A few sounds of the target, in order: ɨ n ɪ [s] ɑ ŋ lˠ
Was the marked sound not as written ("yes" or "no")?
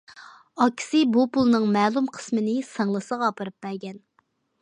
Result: no